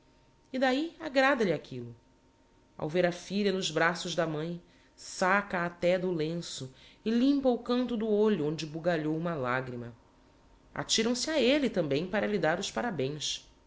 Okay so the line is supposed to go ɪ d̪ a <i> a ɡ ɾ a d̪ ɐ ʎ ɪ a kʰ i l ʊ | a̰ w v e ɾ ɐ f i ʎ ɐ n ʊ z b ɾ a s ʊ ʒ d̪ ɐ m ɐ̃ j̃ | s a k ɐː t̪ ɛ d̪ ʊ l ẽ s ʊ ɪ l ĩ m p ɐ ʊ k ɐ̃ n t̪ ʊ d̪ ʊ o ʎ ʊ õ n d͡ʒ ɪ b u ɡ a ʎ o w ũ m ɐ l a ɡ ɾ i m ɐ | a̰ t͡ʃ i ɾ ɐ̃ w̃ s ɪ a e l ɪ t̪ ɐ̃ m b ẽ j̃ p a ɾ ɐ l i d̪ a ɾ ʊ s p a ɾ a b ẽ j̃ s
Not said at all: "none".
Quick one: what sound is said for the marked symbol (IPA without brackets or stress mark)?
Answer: i